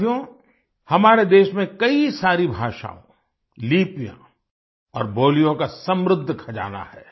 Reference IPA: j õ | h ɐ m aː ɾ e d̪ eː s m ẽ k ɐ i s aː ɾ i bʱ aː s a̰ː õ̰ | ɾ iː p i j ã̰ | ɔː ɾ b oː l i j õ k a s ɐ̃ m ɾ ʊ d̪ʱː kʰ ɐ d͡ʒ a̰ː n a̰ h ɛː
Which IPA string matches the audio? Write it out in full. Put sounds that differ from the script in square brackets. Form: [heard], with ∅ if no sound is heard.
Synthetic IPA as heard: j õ | h ɐ m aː ɾ e d̪ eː [ʃ] m ẽ k ɐ i s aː ɾ i bʱ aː [ʃ] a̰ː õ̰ | [l] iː p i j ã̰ | ɔː ɾ b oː l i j õ k a s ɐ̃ m ɾ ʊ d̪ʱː kʰ ɐ d͡ʒ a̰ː n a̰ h ɛː

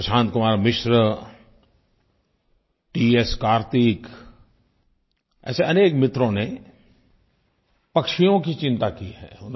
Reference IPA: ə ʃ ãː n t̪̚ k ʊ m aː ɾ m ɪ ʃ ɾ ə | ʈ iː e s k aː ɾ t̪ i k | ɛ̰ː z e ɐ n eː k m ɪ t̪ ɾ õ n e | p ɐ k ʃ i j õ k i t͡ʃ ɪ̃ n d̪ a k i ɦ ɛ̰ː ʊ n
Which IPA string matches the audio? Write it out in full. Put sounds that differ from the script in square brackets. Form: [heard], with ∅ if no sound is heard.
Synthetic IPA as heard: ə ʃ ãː n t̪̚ k ʊ m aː ɾ m ɪ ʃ ɾ ə | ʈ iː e s k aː ɾ t̪ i k | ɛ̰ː [s] e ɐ n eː k m ɪ t̪ ɾ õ n e | p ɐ k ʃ i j õ k i t͡ʃ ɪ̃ n [t̪] a k i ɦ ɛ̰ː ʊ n

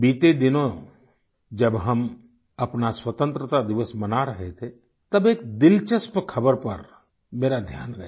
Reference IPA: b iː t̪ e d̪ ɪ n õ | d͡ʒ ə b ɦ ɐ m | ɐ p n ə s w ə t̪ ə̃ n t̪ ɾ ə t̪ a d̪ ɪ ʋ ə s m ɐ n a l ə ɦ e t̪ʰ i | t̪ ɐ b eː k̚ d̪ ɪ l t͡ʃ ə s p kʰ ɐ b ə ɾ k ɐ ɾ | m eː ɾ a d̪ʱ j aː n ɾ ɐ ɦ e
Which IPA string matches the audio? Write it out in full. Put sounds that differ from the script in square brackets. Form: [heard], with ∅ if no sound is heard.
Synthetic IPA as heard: b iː t̪ e d̪ ɪ n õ | d͡ʒ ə b ɦ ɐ m | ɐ p n [a] s w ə t̪ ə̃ n t̪ ɾ ə t̪ a d̪ ɪ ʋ ə s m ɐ n a [ɾ] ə ɦ e t̪ʰ [e] | t̪ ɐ b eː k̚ d̪ ɪ l t͡ʃ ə s p kʰ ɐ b ə ɾ [p] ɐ ɾ | m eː ɾ a d̪ʱ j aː n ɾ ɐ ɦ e

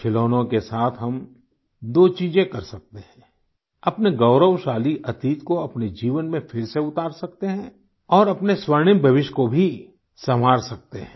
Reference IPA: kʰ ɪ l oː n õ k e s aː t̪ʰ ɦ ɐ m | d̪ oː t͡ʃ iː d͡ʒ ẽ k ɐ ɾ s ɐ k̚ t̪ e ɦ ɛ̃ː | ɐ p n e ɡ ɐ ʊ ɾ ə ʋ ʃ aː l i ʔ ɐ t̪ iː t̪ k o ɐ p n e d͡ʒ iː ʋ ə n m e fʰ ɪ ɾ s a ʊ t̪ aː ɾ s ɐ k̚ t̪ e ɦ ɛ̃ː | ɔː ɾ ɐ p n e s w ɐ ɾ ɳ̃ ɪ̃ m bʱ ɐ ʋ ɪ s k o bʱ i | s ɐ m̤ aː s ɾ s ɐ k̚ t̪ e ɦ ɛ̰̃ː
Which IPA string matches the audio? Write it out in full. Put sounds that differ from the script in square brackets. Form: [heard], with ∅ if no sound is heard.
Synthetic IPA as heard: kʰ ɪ l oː n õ k e s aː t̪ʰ ɦ ɐ m | d̪ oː t͡ʃ iː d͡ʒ ẽ k ɐ ɾ s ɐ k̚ t̪ e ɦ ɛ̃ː | ɐ p n e ɡ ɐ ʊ ɾ ə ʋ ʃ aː l i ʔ ɐ t̪ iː t̪ k o ɐ p n e d͡ʒ iː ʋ ə n m [ẽ] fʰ ɪ ɾ s [e] ʊ t̪ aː ɾ s ɐ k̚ t̪ e ɦ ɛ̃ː | ɔː ɾ ɐ p n e s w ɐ ɾ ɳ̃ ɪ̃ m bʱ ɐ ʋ ɪ [ʃ] k o bʱ i | s ɐ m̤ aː [∅] ɾ s ɐ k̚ t̪ e ɦ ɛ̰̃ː

